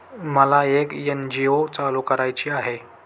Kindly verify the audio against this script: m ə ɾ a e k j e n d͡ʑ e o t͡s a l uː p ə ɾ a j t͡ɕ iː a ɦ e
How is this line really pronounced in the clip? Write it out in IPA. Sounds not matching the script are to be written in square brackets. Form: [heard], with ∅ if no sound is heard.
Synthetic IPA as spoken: m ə [l] a e k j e n d͡ʑ [i] o t͡s a l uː [k] ə ɾ a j t͡ɕ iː a ɦ e